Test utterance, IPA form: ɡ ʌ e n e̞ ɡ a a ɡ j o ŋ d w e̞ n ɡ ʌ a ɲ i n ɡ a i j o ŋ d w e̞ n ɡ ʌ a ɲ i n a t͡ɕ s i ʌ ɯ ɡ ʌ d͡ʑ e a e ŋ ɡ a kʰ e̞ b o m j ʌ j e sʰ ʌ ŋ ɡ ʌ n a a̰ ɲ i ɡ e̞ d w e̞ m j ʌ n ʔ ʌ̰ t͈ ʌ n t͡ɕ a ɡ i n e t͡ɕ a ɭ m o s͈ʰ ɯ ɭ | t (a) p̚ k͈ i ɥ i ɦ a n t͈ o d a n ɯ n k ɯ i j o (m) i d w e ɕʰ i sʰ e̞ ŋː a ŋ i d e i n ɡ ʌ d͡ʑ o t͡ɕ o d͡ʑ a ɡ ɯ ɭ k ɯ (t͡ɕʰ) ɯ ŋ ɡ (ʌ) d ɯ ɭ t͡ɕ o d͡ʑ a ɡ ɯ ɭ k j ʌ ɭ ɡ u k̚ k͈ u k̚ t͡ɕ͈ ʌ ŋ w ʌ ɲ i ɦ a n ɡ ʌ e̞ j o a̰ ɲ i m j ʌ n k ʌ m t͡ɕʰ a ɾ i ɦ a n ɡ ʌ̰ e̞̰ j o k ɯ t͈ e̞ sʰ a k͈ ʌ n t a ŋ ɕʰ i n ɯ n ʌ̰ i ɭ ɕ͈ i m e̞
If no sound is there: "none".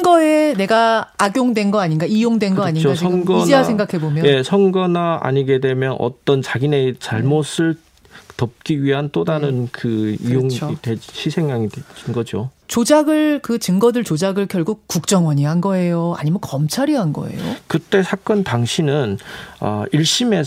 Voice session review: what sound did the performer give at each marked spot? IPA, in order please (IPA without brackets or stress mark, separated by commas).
ʌ, ŋ, t͡ɕ, ʌ